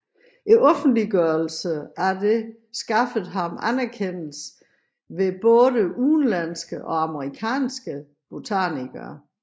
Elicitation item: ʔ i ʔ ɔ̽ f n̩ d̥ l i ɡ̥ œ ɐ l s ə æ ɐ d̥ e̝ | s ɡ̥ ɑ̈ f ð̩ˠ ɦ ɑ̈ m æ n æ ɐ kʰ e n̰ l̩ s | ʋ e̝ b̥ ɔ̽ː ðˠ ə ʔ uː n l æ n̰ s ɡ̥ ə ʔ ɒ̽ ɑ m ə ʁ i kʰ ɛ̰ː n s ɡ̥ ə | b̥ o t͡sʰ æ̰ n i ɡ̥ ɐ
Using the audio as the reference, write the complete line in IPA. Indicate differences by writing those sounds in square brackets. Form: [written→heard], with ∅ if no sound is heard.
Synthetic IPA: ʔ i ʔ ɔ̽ f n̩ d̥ l i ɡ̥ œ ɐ l s ə æ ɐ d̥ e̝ | s ɡ̥ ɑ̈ f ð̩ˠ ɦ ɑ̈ m æ n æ ɐ kʰ e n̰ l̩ s | ʋ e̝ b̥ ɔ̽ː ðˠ ə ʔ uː n l æ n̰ s ɡ̥ ə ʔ ɒ̽ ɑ m ə ʁ i kʰ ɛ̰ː n s ɡ̥ ə | b̥ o t͡sʰ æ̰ n i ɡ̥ ɐ